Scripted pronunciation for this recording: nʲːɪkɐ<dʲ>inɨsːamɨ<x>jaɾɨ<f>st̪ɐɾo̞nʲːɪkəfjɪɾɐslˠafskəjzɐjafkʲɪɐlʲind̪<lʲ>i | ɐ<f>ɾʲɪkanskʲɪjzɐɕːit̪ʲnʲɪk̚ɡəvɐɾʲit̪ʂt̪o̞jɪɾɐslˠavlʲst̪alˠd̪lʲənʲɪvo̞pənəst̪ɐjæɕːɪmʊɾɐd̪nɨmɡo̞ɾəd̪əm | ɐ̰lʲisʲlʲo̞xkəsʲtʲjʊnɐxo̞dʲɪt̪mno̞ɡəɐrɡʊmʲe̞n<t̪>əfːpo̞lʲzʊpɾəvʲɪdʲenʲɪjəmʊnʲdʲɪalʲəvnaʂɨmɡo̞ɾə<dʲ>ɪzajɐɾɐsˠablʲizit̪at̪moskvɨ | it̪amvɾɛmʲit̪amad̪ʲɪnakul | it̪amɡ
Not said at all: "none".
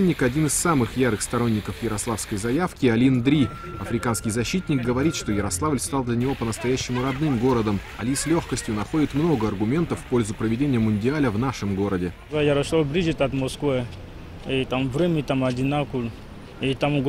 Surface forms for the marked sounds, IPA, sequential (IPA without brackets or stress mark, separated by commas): dʲ, x, x, ɾʲ, f, t̪, dʲ